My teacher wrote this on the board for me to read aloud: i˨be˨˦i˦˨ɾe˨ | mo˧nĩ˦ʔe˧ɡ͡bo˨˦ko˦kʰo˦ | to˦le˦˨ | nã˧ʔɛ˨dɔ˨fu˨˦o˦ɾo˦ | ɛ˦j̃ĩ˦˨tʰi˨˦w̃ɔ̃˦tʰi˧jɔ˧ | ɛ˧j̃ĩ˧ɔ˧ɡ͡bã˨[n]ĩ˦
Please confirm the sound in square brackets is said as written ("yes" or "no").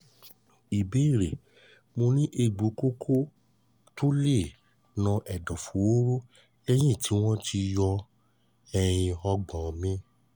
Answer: no